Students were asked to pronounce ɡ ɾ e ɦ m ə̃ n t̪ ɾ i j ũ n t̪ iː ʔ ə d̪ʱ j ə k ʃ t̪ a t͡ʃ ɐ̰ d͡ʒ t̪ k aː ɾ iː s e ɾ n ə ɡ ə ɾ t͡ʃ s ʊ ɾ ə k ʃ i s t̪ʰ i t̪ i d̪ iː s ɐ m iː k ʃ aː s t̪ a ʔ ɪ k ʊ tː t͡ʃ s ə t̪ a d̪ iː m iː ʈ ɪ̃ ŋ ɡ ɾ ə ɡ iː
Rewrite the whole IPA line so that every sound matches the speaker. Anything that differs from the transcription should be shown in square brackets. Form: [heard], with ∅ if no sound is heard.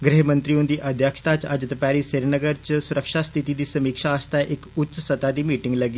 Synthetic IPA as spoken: ɡ ɾ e ɦ m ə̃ n t̪ ɾ i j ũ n [d̪] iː ʔ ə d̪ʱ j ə k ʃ t̪ a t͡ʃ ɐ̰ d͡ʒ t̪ [p] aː ɾ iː s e ɾ n ə ɡ ə ɾ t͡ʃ s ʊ ɾ ə k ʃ [a] s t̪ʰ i t̪ i d̪ iː s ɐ m iː k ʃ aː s t̪ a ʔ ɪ k ʊ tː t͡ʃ s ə t̪ a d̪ iː m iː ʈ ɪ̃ ŋ ɡ [l] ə ɡ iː